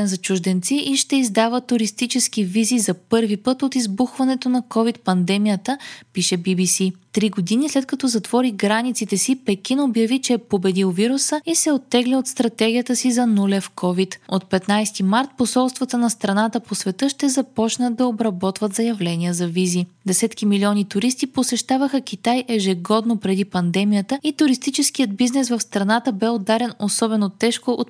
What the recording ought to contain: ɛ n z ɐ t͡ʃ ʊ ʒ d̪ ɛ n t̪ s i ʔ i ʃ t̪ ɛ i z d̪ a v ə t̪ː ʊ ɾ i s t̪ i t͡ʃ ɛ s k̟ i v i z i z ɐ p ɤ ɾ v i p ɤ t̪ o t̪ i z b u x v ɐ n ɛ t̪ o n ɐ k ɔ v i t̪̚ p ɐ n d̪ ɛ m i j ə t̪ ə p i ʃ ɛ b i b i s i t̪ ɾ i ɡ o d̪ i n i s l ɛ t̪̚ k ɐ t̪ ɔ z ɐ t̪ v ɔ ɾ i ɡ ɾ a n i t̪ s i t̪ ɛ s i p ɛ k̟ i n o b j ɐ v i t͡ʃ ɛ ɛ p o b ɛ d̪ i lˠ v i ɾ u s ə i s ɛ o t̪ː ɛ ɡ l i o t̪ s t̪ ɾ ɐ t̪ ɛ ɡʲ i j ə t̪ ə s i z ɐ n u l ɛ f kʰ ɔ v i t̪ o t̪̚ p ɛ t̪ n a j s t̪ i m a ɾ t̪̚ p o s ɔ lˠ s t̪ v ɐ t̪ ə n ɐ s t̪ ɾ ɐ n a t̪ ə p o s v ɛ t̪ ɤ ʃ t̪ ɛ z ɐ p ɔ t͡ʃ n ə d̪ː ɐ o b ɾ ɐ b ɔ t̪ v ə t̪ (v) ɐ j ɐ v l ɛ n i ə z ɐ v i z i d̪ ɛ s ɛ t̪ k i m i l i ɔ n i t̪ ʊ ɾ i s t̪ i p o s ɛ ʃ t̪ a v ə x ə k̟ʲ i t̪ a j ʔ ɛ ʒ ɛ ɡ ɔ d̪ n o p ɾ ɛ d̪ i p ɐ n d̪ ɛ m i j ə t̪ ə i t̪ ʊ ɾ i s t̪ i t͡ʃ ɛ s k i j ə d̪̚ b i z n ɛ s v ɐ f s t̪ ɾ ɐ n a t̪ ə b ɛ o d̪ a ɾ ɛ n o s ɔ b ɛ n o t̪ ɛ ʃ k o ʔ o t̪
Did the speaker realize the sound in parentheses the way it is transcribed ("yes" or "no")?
no